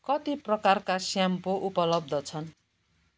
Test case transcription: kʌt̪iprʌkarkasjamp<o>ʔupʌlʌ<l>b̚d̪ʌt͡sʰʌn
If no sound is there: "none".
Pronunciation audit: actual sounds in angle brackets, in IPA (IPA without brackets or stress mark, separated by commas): o, none